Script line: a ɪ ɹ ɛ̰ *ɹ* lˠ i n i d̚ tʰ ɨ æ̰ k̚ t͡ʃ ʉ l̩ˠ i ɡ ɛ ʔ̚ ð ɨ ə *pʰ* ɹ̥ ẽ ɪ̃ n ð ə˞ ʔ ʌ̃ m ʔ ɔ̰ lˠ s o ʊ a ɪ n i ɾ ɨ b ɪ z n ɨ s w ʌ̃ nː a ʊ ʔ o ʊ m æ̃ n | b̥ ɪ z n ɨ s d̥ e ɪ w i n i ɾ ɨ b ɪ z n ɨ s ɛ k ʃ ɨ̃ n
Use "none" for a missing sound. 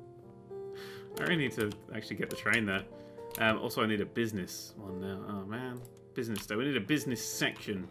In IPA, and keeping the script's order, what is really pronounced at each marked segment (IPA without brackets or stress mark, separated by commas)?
none, tʰ